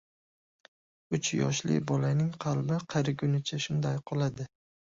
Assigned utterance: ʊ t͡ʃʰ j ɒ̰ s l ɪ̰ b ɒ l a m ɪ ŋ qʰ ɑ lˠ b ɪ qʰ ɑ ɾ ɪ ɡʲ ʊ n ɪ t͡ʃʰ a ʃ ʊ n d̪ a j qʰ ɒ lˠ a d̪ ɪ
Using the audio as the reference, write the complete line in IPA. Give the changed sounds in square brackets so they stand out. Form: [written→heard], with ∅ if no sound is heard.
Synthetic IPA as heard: ʊ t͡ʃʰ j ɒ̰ [s→ʃ] l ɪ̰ b ɒ l a [m→n] ɪ ŋ qʰ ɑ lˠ b ɪ qʰ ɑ ɾ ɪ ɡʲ ʊ n ɪ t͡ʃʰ a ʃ ʊ n d̪ a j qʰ ɒ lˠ a d̪ ɪ